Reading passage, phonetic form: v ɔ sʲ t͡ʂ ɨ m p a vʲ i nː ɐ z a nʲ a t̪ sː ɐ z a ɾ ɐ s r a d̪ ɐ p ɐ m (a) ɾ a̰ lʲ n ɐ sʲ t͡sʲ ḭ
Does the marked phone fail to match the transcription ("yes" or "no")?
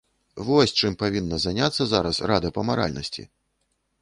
no